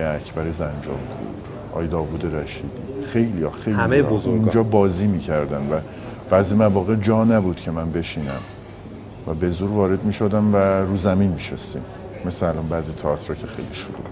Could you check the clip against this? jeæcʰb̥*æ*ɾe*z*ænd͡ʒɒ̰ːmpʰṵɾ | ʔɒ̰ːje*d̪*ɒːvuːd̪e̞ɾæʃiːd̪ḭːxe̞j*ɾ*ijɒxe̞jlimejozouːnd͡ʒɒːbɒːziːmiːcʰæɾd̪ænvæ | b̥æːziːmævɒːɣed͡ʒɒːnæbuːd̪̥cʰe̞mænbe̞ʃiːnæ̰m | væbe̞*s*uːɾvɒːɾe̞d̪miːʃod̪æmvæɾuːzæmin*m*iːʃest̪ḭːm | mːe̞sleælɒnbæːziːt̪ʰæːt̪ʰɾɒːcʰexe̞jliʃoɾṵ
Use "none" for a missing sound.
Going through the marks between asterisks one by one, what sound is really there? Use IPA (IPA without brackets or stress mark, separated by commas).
æ, z, d̪, l, z, m